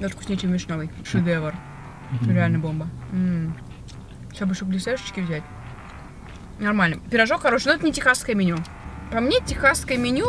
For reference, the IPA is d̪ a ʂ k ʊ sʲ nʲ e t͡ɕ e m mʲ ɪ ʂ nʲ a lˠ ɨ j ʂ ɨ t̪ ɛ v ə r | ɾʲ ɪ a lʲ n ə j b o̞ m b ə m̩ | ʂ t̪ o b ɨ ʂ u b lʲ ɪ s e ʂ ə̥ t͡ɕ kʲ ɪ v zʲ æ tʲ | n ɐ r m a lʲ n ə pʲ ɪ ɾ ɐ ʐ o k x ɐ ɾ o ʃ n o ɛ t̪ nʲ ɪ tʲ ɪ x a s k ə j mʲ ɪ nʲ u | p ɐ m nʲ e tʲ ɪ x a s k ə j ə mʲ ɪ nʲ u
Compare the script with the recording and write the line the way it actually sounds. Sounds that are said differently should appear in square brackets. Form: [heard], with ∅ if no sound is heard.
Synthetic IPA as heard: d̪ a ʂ k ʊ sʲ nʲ e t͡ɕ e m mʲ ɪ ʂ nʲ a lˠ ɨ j ʂ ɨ [d̪] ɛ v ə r | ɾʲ ɪ a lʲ n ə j b o̞ m b ə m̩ | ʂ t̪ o b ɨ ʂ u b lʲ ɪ s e ʂ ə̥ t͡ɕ kʲ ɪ v zʲ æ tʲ | n ɐ r m a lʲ n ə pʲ ɪ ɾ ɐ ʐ o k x ɐ ɾ o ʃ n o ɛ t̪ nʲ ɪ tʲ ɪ x a s k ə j mʲ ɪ nʲ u | p ɐ m nʲ e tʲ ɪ x a s k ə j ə mʲ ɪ nʲ u